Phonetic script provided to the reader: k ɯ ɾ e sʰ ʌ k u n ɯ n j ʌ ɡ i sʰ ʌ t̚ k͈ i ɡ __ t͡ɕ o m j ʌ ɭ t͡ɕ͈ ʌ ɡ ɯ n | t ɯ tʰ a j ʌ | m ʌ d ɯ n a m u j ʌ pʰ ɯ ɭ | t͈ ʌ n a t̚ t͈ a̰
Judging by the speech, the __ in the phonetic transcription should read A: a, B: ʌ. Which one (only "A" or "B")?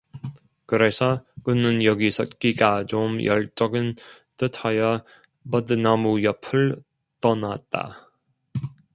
A